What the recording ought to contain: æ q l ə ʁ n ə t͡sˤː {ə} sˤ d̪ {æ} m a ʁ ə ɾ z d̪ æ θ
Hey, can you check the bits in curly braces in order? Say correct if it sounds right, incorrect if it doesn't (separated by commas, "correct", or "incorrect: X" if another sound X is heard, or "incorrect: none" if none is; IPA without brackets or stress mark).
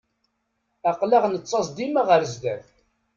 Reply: incorrect: ɑ, incorrect: i